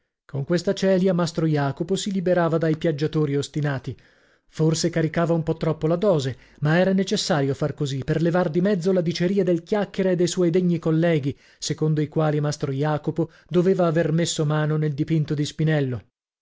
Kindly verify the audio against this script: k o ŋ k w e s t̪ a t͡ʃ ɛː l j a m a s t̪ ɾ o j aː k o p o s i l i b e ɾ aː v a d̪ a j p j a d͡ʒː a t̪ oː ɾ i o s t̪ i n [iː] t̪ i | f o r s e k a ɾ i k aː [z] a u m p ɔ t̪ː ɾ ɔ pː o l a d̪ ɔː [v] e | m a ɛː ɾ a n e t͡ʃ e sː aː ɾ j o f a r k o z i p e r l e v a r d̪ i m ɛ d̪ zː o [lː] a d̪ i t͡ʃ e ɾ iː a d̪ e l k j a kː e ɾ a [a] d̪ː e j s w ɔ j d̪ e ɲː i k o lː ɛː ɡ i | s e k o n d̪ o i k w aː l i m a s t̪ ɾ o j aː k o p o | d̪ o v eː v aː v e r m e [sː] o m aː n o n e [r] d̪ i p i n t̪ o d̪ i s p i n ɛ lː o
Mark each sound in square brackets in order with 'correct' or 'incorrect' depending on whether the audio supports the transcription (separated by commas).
incorrect, incorrect, incorrect, incorrect, incorrect, correct, incorrect